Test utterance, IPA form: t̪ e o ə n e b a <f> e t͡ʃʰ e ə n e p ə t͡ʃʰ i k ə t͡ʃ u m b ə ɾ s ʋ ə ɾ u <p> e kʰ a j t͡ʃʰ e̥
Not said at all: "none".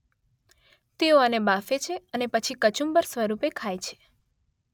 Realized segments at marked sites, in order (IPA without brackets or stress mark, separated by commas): f, p